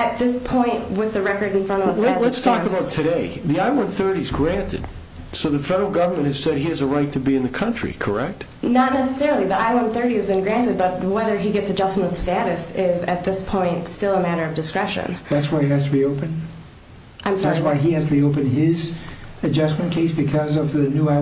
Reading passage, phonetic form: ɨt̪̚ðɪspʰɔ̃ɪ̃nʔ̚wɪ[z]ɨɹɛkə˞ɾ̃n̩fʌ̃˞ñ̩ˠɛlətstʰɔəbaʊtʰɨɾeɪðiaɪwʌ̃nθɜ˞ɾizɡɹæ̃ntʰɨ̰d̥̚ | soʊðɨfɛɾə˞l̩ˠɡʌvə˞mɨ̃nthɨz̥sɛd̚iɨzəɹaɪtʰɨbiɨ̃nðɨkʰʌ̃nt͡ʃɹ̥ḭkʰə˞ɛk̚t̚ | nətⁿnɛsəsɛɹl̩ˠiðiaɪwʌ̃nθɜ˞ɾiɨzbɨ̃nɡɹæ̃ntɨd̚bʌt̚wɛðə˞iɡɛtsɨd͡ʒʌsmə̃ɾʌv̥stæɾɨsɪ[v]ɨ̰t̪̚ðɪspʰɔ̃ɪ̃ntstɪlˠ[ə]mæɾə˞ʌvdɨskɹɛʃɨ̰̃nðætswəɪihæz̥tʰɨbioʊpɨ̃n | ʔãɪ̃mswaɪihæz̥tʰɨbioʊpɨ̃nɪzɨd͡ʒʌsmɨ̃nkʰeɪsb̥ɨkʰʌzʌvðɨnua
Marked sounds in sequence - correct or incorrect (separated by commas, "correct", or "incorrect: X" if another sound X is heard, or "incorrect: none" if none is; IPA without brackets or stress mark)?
incorrect: ð, incorrect: z, correct